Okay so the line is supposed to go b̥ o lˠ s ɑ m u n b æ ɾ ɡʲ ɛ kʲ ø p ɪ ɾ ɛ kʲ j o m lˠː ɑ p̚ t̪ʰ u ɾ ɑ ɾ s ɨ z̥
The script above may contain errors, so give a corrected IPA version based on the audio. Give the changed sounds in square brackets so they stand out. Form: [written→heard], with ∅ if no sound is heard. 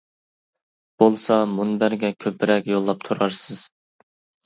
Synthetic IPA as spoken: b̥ o lˠ s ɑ m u n b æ ɾ ɡʲ ɛ [kʲ→kʲʰ] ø p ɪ ɾ ɛ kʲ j o [m→∅] lˠː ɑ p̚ t̪ʰ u ɾ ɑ ɾ s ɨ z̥